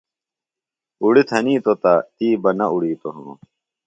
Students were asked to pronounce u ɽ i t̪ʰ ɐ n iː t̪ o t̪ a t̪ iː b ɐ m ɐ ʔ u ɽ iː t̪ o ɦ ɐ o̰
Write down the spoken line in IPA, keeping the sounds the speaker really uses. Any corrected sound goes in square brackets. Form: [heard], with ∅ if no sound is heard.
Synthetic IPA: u ɽ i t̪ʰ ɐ n iː t̪ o t̪ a t̪ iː b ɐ [n] ɐ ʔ u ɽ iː t̪ o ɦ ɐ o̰